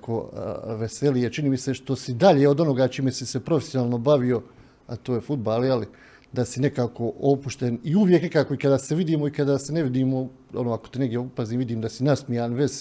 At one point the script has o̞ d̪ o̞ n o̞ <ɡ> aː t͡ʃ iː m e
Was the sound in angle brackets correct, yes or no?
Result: yes